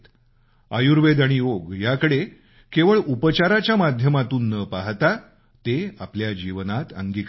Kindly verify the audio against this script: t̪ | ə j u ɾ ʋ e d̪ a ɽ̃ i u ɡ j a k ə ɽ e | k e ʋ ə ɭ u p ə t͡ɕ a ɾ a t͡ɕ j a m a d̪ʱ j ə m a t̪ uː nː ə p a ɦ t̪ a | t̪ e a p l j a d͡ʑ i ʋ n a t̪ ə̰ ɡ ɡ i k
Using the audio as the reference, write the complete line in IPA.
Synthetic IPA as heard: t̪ | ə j u ɾ ʋ e d̪ a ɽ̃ i o ɡ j a k ə ɽ e | k e ʋ ə ɭ u p ə t͡ɕ a ɾ a t͡ɕ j a m a d̪ʱ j ə m a t̪ uː nː ə p a ɦ t̪ a | t̪ e a p l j a d͡ʑ i ʋ n a t̪ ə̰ ŋ ɡ i k